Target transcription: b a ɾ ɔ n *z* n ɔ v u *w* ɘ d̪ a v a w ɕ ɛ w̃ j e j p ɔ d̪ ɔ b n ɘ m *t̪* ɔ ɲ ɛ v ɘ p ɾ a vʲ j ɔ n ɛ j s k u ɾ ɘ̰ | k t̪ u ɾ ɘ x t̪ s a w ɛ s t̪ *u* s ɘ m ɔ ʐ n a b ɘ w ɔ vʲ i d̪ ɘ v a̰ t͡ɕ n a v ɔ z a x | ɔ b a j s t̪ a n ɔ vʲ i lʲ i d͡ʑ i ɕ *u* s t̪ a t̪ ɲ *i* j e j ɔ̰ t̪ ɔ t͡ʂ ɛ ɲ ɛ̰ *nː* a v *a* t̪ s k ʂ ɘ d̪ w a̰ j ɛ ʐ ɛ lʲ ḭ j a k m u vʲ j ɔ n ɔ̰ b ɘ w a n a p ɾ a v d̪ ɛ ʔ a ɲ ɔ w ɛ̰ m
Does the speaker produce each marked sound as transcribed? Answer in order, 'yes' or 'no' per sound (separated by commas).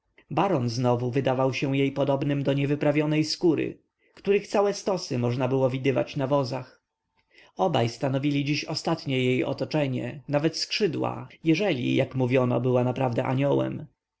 yes, no, no, no, no, no, no, no